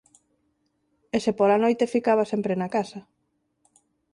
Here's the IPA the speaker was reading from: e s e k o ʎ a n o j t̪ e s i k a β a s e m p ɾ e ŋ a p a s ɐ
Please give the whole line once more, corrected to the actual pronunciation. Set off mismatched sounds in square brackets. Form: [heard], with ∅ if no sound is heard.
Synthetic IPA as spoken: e s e [p] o [l] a n o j t̪ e [f] i k a β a s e m p ɾ e [n] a [k] a s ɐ